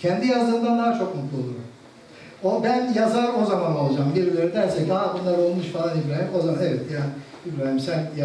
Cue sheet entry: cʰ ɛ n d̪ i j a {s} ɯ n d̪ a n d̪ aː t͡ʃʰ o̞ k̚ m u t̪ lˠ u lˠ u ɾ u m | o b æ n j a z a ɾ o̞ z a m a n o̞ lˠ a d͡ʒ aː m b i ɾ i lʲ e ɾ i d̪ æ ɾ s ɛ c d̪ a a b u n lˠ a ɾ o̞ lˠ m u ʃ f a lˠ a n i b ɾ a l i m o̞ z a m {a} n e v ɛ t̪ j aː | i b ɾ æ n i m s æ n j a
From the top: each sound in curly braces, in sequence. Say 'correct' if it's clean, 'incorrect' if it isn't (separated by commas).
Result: incorrect, correct